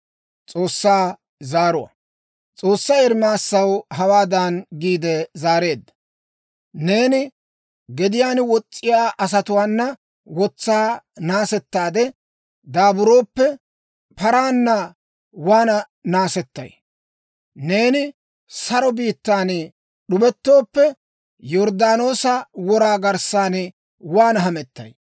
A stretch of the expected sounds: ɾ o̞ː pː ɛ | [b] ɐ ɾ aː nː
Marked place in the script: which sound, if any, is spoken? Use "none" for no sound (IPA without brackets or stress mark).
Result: p